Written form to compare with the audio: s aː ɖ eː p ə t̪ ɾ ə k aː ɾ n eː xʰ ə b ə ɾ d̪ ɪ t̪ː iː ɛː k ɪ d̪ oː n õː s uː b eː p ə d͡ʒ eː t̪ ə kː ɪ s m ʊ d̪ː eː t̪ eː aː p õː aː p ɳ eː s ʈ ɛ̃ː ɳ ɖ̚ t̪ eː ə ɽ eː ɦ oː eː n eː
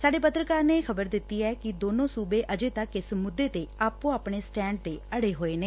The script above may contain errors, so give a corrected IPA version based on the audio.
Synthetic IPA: s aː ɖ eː p ə t̪ ɾ ə k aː ɾ n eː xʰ ə b ə ɾ d̪ ɪ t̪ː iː ɛː k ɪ d̪ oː n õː s uː b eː ʔ ə d͡ʒ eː t̪ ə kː ɪ s m ʊ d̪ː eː t̪ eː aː p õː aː p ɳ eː s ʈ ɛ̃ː ɳ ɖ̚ t̪ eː ə ɽ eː ɦ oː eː n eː